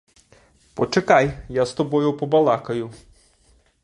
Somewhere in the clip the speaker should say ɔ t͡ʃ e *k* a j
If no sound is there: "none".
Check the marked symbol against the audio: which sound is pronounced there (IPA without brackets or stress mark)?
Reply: k